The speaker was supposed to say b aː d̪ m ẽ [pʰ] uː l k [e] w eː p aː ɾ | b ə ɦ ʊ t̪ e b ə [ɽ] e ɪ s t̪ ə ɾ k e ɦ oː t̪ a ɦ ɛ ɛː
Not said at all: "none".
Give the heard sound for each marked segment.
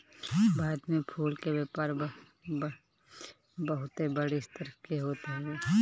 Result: pʰ, e, ɽ

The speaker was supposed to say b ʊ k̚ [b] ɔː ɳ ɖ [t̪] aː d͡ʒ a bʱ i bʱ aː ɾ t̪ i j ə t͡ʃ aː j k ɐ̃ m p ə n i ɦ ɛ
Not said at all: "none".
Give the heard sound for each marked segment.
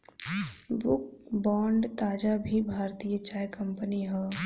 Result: b, t̪

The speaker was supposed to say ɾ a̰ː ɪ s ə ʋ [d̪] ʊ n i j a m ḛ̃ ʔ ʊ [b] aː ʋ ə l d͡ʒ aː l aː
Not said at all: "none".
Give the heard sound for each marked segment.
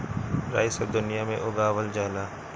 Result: d̪, ɡ

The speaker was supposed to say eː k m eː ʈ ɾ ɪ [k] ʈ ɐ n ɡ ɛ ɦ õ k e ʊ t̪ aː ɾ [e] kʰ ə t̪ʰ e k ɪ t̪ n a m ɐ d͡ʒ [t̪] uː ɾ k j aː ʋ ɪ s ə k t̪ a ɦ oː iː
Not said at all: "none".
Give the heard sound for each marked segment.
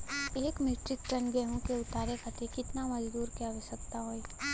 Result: k, e, d̪

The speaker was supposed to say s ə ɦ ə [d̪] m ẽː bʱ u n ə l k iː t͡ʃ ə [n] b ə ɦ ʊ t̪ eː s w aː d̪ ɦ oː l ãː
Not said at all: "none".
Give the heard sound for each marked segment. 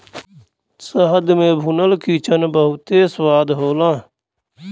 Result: d̪, n

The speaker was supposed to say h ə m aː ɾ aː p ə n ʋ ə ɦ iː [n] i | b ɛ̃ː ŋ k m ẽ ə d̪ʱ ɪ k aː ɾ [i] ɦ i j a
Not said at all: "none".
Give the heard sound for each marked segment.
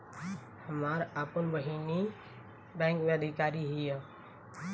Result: n, i

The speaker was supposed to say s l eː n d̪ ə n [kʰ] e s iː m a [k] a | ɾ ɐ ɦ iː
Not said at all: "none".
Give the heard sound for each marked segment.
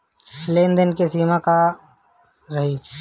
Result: k, k

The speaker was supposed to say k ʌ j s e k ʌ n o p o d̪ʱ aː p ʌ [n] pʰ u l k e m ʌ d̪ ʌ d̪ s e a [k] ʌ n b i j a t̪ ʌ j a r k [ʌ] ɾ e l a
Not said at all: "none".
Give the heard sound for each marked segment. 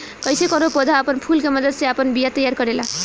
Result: n, p, ʌ

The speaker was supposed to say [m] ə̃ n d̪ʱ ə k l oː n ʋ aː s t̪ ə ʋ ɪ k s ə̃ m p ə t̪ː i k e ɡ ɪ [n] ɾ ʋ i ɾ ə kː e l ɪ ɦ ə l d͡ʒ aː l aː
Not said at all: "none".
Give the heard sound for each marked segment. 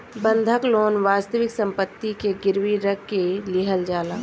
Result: b, none

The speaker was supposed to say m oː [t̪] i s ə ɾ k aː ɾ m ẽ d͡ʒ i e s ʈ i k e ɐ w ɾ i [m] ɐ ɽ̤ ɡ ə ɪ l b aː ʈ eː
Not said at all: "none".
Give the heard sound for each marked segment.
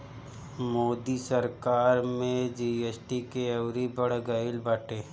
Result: d̪, b

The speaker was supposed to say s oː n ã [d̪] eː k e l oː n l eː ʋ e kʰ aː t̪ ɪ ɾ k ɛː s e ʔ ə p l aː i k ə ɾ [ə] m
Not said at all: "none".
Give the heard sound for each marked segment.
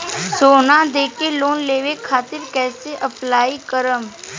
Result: d̪, ə

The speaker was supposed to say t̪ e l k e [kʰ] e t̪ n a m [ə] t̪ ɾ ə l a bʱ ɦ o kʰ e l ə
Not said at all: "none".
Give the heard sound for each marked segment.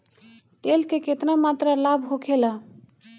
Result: k, a

